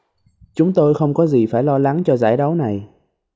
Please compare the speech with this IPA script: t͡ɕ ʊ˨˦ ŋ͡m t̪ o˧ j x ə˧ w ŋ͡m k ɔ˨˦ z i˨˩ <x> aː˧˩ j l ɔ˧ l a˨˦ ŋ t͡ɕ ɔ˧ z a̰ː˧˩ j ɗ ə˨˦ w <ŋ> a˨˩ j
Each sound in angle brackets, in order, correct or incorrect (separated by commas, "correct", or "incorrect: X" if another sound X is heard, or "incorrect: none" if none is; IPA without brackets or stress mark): incorrect: f, incorrect: n